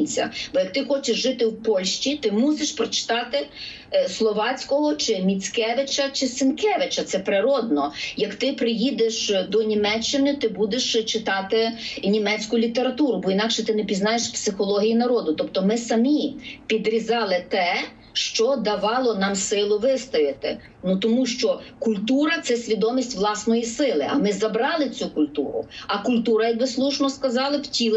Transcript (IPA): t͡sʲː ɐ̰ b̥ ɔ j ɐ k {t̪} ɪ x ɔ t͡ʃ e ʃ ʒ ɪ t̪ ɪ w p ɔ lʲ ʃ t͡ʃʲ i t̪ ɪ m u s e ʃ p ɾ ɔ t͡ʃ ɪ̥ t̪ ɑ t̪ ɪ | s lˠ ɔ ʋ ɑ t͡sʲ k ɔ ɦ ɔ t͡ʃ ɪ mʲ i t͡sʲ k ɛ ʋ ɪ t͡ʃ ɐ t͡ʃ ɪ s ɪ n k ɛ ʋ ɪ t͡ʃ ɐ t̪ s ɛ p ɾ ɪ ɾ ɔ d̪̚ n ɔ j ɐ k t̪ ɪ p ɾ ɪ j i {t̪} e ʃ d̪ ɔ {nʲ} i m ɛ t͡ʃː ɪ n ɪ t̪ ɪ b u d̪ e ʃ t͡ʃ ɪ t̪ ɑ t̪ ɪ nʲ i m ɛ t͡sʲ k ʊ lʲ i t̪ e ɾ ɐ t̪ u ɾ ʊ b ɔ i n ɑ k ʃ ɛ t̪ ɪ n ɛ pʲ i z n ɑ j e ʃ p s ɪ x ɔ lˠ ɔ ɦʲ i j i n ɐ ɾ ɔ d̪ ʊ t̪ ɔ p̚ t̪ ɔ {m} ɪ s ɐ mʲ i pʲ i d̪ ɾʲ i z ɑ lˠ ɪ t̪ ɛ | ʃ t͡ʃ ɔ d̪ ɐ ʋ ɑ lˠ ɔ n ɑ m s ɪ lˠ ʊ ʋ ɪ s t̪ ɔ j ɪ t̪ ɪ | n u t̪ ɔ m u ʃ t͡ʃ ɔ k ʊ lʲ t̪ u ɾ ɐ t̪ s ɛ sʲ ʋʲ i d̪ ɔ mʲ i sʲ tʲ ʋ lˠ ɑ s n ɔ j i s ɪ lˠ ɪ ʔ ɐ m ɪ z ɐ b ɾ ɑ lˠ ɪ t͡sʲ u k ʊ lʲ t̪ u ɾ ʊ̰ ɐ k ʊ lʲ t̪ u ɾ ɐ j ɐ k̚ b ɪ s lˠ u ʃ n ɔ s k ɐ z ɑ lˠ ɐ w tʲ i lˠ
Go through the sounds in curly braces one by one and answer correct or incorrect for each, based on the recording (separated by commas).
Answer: correct, incorrect, correct, correct